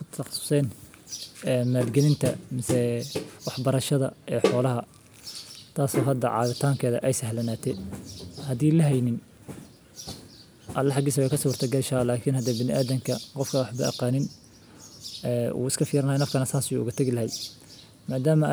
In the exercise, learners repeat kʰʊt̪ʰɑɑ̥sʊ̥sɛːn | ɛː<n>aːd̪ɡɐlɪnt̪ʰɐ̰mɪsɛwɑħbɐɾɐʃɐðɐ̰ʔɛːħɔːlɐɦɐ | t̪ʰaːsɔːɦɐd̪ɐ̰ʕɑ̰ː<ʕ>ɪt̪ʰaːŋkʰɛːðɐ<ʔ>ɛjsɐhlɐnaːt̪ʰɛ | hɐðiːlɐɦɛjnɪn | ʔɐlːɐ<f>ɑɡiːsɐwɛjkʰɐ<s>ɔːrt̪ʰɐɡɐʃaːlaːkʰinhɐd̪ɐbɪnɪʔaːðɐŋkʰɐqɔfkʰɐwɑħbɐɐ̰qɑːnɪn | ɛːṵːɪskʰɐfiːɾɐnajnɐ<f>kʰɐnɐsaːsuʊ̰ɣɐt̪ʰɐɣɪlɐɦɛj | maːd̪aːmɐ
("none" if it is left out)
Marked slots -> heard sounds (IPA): m, ð, ʔ, ħ, s, f

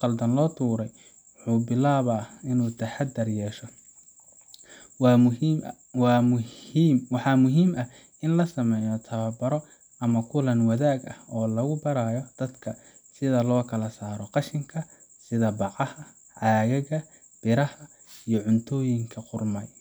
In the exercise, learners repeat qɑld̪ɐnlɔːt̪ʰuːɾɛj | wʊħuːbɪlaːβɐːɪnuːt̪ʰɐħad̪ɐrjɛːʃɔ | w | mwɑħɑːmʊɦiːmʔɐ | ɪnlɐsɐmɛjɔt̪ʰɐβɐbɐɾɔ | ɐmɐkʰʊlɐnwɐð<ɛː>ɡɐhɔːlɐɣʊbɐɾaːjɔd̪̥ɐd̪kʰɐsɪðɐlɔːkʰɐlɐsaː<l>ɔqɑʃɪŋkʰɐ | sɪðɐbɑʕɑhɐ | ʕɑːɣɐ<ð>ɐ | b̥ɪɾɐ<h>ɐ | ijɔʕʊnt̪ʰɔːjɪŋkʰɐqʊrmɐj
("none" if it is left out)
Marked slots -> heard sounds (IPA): aː, ɾ, ɣ, h

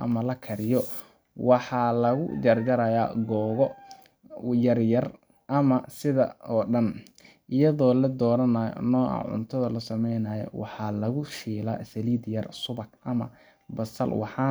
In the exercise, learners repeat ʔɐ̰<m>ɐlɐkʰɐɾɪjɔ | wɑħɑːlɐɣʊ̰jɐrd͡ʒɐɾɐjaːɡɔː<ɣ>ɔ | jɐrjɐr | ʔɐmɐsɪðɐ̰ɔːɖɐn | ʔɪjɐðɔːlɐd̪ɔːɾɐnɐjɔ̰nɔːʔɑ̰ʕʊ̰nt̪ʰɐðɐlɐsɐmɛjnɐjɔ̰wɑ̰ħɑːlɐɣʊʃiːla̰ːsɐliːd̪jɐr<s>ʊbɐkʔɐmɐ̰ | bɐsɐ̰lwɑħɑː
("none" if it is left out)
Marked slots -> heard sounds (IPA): m, ɣ, s

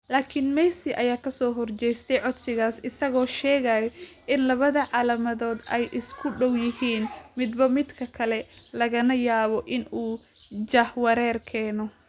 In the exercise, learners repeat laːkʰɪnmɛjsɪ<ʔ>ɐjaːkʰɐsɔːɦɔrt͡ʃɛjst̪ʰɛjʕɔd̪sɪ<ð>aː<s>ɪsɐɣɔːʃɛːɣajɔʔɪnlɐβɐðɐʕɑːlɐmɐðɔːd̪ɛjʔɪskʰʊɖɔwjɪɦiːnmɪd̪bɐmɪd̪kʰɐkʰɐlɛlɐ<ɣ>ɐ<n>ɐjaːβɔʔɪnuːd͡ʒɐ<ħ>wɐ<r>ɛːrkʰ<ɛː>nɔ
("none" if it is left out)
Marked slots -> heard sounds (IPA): ʔ, ɣ, s, ɣ, n, h, ɾ, ɛː

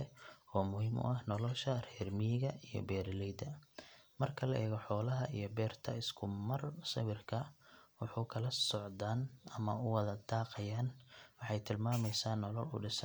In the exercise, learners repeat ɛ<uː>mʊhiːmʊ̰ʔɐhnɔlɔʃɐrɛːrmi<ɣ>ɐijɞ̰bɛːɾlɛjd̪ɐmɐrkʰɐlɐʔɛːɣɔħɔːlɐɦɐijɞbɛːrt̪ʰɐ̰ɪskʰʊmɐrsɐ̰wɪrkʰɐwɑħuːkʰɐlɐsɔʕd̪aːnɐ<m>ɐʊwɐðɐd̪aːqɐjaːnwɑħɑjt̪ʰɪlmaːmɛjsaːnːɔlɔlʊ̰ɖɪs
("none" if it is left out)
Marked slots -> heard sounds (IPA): ɔː, ɣ, m

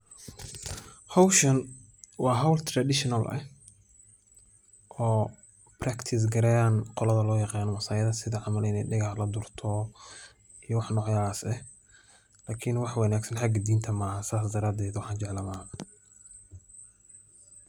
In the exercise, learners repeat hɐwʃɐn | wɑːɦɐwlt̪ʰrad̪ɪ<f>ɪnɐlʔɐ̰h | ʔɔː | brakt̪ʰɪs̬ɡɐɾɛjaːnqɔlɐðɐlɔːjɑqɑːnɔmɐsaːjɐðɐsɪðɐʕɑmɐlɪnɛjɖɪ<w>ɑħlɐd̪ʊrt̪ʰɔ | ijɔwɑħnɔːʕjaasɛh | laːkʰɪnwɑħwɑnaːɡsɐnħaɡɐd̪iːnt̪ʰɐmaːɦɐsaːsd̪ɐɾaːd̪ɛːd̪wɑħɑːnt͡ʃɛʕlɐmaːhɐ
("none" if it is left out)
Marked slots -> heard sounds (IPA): ʃ, ɣ

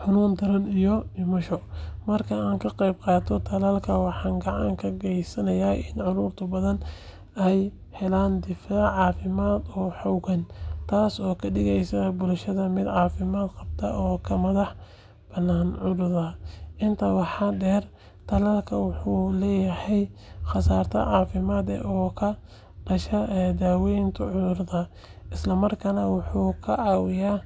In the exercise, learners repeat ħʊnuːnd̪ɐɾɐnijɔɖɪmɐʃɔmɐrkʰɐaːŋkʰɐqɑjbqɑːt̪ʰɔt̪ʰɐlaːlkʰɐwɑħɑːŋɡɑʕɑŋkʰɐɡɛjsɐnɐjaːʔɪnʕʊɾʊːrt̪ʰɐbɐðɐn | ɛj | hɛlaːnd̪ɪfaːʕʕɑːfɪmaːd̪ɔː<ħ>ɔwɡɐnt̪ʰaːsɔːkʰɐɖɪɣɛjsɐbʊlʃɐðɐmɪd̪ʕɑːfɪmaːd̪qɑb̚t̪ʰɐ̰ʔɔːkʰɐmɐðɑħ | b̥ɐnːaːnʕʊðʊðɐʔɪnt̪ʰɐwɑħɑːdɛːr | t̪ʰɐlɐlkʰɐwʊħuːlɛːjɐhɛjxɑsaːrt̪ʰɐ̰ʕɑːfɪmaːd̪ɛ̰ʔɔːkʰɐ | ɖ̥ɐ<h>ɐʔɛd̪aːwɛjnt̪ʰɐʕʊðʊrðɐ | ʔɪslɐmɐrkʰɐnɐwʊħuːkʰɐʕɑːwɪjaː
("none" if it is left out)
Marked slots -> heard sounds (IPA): ħ, ʃ

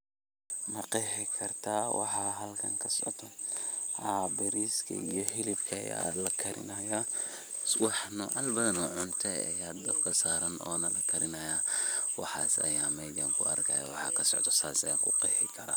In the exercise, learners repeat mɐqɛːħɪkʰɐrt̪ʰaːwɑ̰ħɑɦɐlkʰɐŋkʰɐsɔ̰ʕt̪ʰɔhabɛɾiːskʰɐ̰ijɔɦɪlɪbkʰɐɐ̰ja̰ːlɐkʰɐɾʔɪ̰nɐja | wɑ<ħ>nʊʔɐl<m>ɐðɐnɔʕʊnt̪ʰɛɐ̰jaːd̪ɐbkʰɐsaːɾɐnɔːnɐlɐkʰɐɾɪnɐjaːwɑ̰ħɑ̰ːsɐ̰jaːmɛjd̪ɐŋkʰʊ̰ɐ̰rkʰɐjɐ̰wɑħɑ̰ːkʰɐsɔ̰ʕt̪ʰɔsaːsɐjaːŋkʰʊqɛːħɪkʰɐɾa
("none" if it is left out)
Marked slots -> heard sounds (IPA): ħ, b

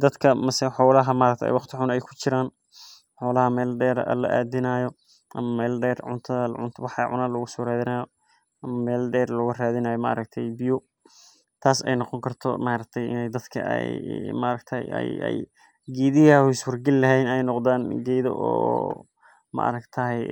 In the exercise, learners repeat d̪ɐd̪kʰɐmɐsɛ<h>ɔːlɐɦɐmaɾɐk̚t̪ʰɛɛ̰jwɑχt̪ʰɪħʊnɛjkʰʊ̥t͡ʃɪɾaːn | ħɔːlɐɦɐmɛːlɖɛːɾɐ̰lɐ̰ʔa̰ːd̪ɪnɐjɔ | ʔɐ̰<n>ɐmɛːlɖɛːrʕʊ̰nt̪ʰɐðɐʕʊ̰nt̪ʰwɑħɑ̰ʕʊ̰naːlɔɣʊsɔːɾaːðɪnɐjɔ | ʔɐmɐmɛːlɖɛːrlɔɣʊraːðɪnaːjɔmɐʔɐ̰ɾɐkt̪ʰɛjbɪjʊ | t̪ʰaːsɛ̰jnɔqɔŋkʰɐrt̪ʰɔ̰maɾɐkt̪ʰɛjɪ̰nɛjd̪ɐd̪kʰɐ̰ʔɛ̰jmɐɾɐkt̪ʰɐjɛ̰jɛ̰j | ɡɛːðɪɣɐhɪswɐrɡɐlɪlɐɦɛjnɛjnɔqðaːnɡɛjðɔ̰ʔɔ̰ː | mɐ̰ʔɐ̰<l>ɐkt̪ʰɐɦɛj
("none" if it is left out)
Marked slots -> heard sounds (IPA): ħ, m, ɾ

